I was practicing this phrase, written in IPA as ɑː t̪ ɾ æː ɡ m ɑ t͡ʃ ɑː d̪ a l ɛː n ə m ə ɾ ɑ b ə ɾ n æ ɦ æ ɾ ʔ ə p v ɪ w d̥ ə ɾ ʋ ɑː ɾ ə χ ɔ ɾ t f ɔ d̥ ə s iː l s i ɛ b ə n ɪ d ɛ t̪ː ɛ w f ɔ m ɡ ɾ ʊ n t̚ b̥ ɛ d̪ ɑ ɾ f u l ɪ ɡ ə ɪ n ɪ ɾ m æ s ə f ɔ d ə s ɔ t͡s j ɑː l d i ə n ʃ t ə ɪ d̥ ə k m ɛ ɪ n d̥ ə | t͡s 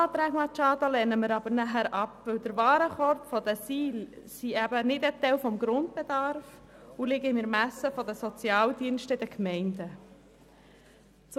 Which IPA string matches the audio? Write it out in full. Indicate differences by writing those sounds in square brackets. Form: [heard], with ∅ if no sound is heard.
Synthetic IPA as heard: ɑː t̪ ɾ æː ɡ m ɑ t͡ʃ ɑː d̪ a l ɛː n ə m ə ɾ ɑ b ə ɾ n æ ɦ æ ɾ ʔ [ɑ] p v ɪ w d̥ ə ɾ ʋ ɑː ɾ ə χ ɔ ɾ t f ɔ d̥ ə s iː l s i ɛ b ə n ɪ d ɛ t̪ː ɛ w f ɔ m ɡ ɾ ʊ n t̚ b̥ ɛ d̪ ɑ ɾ f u l ɪ ɡ ə ɪ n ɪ ɾ m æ s ə f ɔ d ə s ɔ t͡s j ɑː l d i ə n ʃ t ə ɪ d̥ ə k m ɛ ɪ n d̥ ə | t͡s